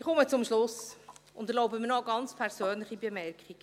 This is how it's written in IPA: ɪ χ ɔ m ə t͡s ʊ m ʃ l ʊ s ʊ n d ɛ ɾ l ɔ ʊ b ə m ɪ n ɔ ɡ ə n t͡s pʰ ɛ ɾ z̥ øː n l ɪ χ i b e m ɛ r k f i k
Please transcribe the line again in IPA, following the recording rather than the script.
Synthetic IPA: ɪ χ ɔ m ə t͡s ʊ m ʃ l ʊ s ʊ n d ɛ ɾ l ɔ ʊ b ə m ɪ n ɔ ɡ ɑ n t͡s pʰ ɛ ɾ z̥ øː n l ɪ χ i b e m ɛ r k χ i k